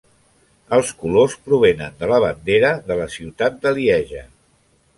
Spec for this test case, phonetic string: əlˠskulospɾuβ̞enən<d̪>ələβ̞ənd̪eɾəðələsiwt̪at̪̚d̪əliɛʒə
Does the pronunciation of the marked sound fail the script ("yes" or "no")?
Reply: no